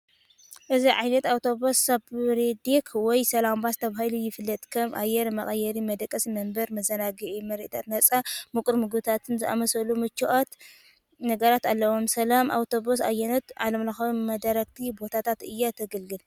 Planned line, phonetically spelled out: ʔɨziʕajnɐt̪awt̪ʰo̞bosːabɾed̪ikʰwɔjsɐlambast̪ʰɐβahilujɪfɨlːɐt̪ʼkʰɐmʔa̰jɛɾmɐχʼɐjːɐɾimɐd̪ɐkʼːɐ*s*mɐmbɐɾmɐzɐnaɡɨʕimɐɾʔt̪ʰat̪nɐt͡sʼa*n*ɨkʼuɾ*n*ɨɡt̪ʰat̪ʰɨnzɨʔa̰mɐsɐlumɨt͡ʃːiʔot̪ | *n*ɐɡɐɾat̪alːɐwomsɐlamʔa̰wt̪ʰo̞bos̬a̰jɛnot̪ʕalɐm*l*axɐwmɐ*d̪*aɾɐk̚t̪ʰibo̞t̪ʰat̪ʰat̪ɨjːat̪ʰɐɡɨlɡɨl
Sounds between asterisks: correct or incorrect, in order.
correct, incorrect: m, incorrect: m, correct, correct, correct

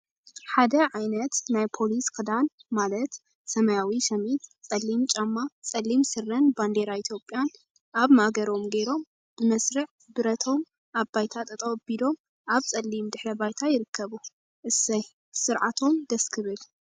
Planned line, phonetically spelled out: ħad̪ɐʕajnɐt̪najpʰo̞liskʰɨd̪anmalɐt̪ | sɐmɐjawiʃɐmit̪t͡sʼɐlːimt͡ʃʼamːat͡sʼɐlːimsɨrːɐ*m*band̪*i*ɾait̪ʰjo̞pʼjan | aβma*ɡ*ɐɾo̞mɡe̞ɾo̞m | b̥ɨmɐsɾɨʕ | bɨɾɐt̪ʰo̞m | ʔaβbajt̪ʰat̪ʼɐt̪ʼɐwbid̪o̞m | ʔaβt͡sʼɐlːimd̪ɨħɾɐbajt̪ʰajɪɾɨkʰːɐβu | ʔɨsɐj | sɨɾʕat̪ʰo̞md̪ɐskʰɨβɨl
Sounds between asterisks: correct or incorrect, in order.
incorrect: n, incorrect: e, correct

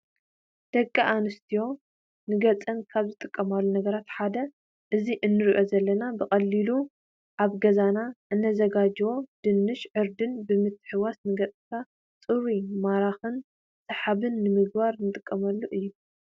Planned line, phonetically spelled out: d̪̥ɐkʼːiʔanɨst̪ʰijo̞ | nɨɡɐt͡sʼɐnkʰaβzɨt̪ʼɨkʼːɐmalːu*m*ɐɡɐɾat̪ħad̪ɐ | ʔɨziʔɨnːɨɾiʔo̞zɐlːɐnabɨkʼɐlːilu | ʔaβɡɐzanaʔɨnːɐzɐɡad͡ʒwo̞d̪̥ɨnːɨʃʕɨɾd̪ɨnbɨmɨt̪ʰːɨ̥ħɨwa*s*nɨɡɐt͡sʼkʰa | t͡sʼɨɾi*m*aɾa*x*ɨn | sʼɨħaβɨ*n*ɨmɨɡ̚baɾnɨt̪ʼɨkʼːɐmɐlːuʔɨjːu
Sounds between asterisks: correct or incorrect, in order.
incorrect: n, correct, correct, correct, incorrect: nː

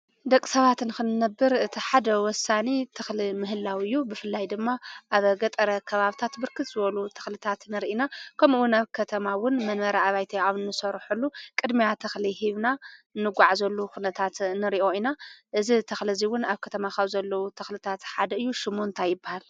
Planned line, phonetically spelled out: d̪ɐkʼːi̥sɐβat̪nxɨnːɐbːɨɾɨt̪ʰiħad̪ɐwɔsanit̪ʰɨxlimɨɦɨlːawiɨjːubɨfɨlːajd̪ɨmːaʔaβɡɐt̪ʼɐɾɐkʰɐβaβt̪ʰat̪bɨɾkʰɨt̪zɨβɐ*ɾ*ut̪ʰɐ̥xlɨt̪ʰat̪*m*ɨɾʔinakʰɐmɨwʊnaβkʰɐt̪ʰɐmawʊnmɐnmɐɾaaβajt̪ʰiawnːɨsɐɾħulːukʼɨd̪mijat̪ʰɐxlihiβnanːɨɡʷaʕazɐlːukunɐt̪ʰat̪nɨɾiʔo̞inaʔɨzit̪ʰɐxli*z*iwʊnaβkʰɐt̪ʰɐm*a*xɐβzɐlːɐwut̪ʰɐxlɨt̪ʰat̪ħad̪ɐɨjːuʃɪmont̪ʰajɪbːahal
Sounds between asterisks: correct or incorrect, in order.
incorrect: l, incorrect: n, correct, correct

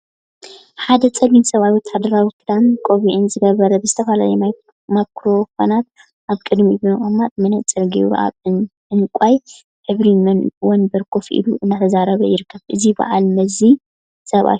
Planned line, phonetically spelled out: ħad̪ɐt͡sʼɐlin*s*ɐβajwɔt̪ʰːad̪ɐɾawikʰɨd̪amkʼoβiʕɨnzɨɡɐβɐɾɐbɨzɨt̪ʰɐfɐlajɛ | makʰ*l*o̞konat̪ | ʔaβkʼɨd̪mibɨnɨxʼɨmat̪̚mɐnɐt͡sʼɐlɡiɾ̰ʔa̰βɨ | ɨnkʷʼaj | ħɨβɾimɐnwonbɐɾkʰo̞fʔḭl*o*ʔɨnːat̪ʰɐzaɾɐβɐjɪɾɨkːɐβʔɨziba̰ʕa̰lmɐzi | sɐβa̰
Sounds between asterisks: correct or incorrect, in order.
correct, incorrect: ɾ, incorrect: u

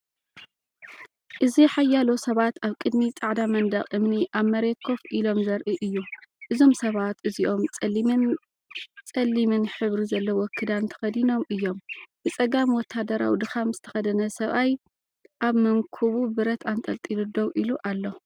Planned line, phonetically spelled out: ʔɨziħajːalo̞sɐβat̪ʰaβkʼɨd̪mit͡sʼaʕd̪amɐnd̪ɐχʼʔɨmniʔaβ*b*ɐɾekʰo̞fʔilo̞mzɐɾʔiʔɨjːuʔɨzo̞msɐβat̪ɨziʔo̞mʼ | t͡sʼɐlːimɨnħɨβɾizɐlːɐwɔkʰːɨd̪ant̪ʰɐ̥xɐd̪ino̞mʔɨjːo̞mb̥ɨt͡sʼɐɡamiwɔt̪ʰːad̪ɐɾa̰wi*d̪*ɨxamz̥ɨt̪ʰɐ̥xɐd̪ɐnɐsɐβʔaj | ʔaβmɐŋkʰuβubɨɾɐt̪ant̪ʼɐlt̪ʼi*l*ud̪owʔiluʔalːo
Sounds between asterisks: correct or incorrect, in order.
incorrect: m, correct, correct

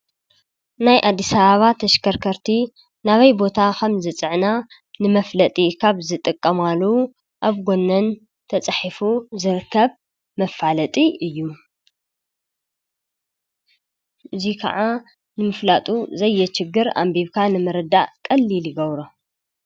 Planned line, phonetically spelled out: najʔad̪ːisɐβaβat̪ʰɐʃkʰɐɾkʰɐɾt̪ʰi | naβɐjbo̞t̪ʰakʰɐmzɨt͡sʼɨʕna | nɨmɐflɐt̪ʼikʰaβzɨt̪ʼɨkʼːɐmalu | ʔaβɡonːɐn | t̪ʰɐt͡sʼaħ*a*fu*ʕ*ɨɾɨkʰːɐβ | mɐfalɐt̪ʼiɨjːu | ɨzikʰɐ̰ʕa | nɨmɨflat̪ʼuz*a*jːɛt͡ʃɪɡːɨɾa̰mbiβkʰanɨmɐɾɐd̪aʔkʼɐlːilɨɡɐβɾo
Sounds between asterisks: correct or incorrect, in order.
incorrect: i, incorrect: z, incorrect: ɐ

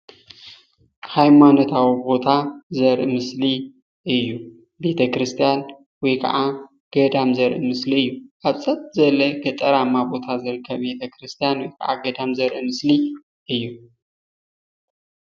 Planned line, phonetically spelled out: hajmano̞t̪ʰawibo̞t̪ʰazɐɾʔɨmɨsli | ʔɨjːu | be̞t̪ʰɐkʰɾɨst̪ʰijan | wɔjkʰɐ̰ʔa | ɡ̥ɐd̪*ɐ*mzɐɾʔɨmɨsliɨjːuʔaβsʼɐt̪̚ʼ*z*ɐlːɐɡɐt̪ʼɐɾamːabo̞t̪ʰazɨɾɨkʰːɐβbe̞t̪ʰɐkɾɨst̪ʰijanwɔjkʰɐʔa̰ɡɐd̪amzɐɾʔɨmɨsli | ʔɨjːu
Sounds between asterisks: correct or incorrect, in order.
incorrect: a, correct

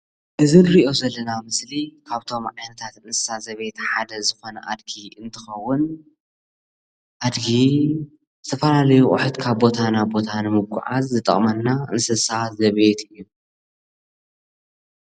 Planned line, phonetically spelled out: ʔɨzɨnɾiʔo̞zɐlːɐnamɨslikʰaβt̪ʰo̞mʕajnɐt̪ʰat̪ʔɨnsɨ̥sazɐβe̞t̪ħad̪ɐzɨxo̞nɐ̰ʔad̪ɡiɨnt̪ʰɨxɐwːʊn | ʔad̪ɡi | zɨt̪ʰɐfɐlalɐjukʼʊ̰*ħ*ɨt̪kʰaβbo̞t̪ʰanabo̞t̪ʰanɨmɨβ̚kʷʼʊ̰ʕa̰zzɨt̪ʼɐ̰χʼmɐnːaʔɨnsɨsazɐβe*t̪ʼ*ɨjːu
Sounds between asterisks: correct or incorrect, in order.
correct, incorrect: t̪

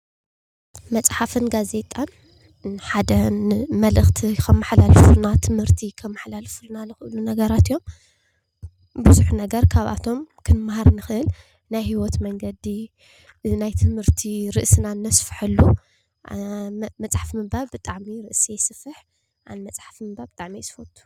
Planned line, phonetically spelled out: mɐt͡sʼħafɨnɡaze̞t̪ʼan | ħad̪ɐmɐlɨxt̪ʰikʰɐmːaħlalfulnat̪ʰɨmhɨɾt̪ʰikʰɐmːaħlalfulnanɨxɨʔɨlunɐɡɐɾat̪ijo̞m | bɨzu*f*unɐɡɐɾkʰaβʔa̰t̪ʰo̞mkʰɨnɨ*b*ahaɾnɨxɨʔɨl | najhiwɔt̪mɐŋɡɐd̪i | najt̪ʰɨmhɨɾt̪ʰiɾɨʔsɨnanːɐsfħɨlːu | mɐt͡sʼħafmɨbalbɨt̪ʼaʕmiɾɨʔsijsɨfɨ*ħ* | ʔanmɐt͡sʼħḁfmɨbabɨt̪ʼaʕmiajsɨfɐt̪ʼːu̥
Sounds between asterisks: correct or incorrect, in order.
incorrect: ħ, incorrect: m, correct

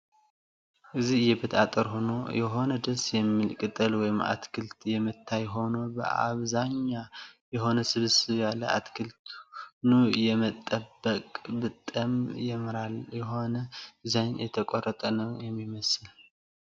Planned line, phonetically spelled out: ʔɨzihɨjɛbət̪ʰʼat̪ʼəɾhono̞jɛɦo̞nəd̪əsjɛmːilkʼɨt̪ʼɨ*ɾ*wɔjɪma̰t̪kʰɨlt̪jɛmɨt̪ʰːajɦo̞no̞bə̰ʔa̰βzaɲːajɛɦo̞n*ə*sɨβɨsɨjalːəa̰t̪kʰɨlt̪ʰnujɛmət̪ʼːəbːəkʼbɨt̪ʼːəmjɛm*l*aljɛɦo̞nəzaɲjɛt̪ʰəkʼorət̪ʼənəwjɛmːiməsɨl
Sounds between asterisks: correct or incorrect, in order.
incorrect: l, correct, incorrect: ɾ

